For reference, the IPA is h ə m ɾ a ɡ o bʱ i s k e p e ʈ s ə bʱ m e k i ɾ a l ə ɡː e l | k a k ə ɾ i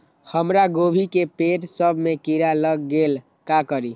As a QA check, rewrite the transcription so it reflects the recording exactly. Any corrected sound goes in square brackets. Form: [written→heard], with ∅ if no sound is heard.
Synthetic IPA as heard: h ə m ɾ a ɡ o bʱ i [s→∅] k e p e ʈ s ə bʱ m e k i ɾ a l ə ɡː e l | k a k ə ɾ i